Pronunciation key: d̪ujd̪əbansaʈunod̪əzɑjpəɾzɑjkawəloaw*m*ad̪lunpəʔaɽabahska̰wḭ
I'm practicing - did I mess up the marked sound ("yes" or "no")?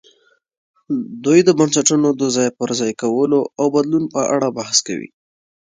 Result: yes